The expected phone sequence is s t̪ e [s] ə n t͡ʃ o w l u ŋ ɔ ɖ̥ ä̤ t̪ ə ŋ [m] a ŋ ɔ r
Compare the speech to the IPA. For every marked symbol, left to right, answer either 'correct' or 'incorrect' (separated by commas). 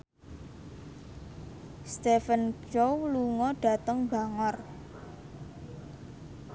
incorrect, incorrect